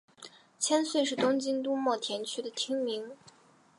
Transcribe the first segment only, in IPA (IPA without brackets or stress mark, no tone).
t͡ɕʰ